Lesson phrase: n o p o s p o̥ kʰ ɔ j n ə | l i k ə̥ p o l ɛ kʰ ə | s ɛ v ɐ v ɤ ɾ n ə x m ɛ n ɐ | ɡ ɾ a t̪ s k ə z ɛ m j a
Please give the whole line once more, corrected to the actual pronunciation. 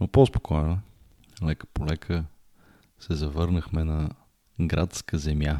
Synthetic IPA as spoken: n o p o s p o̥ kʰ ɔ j n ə | l ɛ k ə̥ p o l ɛ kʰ ə | s ɛ z ɐ v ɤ ɾ n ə x m ɛ n ɐ | ɡ ɾ a t̪ s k ə z ɛ m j a